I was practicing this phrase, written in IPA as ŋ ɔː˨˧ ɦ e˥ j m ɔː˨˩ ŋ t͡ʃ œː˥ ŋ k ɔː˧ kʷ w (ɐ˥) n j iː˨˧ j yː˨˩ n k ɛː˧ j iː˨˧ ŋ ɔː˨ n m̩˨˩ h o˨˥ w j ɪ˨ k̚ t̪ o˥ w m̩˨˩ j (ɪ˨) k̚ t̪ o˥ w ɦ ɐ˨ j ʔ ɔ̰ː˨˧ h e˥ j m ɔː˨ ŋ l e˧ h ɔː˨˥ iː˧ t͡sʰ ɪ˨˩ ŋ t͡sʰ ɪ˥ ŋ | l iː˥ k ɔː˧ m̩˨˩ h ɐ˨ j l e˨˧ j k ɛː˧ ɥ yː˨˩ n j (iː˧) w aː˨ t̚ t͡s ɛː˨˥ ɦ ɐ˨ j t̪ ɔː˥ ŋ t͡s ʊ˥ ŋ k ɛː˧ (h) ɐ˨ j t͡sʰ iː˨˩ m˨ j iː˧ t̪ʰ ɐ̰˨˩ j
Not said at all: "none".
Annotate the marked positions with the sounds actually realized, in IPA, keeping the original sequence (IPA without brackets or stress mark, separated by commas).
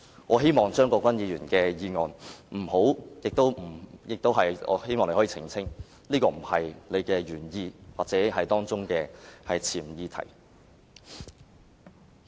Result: ɐ˥, ɪ˨, iː˧, h